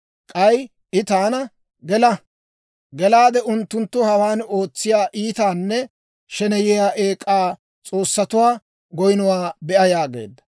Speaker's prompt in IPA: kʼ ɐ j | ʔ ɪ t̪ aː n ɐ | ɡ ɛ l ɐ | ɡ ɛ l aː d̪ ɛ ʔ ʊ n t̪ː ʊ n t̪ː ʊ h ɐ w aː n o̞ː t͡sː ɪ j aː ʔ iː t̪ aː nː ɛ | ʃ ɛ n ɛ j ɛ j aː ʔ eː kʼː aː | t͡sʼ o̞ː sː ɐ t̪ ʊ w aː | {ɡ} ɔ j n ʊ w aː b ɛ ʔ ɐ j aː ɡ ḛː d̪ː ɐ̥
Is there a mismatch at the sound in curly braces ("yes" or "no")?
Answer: no